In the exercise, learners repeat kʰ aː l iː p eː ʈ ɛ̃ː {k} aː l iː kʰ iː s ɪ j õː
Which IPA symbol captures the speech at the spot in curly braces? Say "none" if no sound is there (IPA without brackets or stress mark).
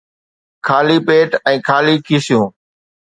kʰ